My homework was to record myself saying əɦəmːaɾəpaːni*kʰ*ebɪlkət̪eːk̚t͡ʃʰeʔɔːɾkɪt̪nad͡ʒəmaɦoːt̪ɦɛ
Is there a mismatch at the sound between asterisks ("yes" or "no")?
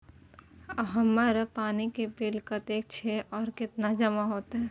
yes